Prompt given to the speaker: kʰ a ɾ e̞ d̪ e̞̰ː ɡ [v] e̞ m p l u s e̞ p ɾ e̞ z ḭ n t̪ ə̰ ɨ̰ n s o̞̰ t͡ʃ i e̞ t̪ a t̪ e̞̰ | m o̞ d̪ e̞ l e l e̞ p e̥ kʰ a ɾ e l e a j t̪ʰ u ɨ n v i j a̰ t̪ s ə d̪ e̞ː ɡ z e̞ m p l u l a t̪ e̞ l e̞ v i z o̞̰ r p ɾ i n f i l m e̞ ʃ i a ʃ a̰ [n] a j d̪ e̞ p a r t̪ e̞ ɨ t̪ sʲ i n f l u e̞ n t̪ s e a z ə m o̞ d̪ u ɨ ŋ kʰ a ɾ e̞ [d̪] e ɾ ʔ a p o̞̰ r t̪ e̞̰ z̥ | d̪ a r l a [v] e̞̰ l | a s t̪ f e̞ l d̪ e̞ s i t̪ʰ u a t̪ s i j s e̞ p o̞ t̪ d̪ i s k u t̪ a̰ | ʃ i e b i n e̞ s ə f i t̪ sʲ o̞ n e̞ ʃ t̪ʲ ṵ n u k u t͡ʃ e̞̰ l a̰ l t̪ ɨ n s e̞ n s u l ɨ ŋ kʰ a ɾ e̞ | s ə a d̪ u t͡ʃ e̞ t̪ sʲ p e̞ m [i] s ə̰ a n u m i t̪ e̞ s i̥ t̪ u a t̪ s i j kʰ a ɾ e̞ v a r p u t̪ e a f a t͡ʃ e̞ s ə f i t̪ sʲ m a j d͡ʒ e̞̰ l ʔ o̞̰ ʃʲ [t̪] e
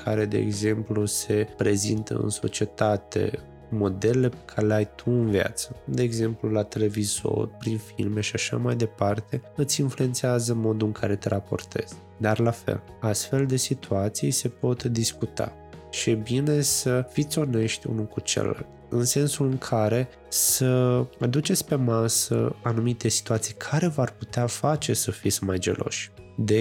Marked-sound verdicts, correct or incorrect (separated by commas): incorrect, incorrect, incorrect, incorrect, incorrect, incorrect